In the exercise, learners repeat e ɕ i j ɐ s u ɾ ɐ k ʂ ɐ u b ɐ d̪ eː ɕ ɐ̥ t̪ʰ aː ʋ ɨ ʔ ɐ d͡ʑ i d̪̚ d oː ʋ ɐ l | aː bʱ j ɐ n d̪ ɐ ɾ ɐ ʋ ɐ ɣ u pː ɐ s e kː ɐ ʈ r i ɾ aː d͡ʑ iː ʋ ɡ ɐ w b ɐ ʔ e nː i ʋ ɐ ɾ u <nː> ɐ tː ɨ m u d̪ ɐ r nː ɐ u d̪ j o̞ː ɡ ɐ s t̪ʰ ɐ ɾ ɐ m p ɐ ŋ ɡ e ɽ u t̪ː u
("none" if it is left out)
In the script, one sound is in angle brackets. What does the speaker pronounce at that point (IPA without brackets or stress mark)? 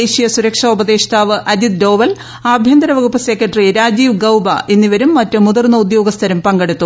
mː